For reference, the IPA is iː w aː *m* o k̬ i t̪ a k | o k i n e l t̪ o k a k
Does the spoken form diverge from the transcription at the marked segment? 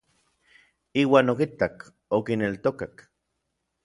yes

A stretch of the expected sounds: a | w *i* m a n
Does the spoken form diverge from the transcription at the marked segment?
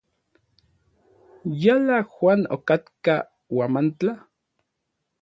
yes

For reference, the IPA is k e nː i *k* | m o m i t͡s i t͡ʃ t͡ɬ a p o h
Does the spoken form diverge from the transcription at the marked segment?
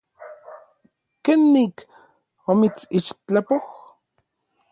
no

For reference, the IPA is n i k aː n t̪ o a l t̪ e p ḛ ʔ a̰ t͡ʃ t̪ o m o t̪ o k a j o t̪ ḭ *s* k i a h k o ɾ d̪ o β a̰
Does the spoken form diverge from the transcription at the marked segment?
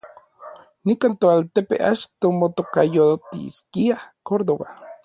no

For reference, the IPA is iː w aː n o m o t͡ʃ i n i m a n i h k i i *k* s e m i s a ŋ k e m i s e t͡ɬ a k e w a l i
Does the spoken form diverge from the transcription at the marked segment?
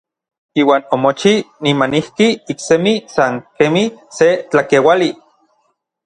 no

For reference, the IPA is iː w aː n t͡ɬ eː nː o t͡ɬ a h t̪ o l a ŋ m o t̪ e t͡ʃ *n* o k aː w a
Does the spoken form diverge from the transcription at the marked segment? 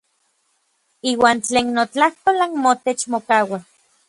yes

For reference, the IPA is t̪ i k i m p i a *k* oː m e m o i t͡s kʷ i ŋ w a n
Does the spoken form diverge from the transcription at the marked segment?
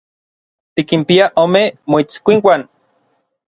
yes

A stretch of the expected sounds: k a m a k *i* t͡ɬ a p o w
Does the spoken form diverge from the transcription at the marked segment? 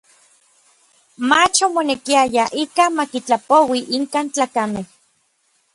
no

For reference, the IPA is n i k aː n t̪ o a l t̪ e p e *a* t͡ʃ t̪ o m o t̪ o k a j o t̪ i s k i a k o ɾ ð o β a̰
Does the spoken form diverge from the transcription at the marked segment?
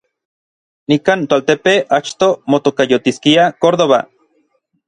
no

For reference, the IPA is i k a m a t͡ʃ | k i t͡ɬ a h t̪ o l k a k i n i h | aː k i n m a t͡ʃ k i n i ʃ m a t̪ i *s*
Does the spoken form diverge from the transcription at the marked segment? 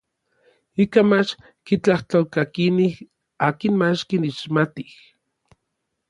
yes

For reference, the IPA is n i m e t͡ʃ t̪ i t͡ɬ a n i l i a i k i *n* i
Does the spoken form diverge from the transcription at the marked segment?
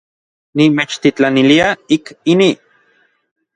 no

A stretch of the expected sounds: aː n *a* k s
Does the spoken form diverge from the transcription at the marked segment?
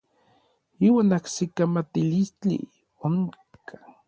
no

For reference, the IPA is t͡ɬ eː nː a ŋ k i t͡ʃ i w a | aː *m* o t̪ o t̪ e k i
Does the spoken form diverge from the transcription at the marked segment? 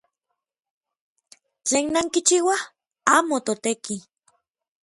no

